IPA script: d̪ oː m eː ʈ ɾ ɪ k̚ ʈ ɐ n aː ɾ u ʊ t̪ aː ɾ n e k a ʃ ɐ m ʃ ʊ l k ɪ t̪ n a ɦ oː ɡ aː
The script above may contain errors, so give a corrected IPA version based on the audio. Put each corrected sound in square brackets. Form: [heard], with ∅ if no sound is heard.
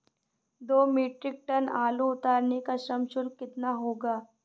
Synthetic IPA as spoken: d̪ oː m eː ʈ ɾ ɪ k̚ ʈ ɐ n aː [l] u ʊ t̪ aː ɾ n e k a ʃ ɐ m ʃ ʊ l k ɪ t̪ n a ɦ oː ɡ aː